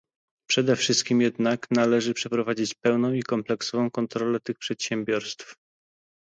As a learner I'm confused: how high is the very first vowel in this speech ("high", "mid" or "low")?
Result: mid